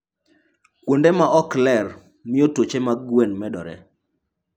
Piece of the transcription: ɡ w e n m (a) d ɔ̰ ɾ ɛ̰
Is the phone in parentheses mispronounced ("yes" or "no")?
yes